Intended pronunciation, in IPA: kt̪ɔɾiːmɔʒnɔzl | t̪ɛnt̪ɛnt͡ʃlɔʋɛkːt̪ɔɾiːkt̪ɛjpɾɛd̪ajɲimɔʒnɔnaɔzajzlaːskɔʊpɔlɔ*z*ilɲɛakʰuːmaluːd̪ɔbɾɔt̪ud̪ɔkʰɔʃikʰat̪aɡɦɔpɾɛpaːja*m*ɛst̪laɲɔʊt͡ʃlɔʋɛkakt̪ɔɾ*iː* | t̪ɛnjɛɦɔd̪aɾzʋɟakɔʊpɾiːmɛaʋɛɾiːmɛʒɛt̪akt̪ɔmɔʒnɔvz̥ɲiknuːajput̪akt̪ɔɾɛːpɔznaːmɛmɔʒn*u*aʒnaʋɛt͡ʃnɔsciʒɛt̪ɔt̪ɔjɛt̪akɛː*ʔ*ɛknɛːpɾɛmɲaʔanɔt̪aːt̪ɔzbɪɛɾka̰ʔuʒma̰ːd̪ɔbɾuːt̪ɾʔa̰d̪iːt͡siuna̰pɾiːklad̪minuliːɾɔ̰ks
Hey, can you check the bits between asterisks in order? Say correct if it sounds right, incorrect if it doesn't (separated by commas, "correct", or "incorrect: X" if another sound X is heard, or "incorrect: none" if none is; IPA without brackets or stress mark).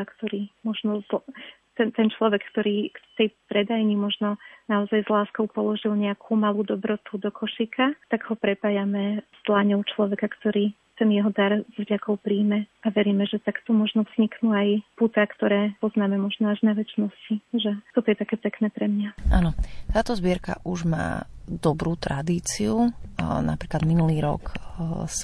incorrect: ʒ, correct, correct, incorrect: ɔ, incorrect: p